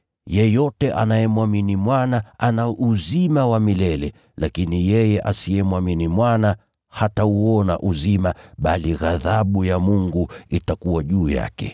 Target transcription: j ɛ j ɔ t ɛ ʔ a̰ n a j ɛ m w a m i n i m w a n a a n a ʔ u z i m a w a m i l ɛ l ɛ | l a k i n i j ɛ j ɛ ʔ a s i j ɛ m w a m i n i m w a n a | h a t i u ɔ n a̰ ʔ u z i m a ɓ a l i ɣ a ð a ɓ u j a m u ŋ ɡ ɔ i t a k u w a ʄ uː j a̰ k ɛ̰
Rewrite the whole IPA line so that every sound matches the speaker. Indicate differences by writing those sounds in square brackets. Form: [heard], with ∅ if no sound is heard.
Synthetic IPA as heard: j ɛ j ɔ t ɛ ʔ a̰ n a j ɛ m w a m i n i m w a n a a n a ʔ u z i m a w a m i l ɛ l ɛ | l a k i n i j ɛ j ɛ ʔ a s i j ɛ m w a m i n i m w a n a | h a t [a] u ɔ n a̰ ʔ u z i m a ɓ a l i ɣ a ð a ɓ u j a m u ŋ ɡ [u] i t a k u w a ʄ uː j a̰ k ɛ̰